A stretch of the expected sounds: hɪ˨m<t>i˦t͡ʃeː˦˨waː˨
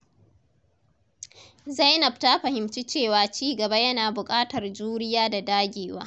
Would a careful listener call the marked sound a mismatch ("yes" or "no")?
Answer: yes